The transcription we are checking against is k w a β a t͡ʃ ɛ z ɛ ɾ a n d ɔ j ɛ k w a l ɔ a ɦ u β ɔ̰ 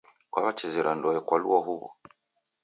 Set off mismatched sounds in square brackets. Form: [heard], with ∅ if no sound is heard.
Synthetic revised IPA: k w a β a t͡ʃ ɛ z ɛ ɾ a n d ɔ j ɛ k w a l [u] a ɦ u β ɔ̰